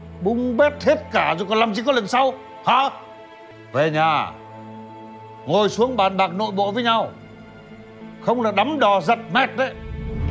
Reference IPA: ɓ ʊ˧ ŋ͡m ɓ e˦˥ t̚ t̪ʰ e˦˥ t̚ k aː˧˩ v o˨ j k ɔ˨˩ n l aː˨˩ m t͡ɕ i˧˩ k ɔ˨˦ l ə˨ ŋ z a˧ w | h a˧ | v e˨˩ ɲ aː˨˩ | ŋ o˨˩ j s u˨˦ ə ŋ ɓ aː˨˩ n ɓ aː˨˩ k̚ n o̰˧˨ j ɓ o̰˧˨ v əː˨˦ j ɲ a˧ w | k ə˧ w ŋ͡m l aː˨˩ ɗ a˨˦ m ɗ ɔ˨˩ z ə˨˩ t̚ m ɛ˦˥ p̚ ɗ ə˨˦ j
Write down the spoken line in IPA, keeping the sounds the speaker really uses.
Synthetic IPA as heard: ɓ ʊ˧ ŋ͡m ɓ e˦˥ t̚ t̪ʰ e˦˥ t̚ k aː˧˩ z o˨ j k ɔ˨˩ n l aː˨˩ m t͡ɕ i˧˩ k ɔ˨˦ l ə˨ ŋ s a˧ w | h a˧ | v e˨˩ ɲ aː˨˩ | ŋ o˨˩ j s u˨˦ ə ŋ ɓ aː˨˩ n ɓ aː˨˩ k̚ n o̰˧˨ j ɓ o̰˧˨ v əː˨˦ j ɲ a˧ w | x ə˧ w ŋ͡m l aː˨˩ ɗ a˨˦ m ɗ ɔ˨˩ z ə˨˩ t̚ m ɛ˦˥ t̚ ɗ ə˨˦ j